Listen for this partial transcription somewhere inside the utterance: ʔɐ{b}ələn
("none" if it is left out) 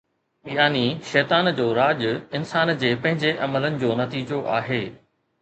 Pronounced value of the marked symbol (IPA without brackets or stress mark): m